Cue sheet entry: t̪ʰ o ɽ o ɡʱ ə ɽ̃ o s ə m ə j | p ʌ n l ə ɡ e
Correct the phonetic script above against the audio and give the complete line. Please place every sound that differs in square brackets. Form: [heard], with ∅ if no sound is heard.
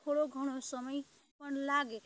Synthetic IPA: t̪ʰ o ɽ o ɡʱ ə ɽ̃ o s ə m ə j | p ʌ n l [a] ɡ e